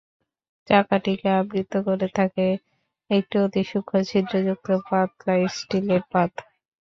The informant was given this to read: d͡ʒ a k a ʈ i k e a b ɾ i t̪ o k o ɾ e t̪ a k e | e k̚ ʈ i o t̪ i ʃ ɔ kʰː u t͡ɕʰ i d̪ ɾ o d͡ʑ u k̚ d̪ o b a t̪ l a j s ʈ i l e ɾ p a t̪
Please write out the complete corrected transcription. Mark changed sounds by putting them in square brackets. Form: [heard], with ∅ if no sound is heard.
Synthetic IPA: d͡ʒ a k a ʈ i k e a b ɾ i t̪ o k o ɾ e [t̪ʰ] a k e | e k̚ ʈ i o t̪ i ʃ [u] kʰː [o] t͡ɕʰ i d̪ ɾ o d͡ʑ u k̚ [t̪] o [p] a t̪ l a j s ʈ i l e ɾ p a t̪